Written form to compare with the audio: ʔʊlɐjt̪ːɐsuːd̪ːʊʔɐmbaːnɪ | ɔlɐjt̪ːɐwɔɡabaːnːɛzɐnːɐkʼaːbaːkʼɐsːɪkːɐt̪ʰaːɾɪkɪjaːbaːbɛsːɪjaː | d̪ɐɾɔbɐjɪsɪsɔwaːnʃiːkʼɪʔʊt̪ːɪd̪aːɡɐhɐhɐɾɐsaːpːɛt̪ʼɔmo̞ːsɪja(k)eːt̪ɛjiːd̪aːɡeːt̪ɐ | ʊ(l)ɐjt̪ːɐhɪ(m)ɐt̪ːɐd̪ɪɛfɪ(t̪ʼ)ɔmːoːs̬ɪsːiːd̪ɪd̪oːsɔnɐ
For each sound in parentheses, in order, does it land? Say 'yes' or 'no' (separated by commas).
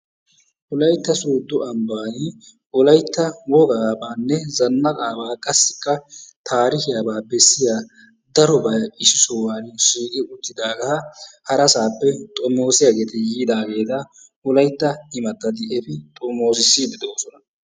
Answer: no, yes, yes, yes